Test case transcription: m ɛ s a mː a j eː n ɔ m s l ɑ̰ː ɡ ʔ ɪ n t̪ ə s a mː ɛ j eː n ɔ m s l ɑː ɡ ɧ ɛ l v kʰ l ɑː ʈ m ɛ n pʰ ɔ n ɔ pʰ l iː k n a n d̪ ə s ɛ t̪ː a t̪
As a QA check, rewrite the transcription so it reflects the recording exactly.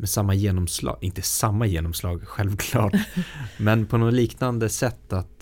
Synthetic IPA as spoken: m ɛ s a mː a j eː n ɔ m s l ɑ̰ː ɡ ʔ ɪ n t̪ ə s a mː a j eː n ɔ m s l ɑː ɡ ɧ ɛ l v kʰ l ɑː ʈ m ɛ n pʰ ɔ n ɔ l iː k n a n d̪ ə s ɛ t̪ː a t̪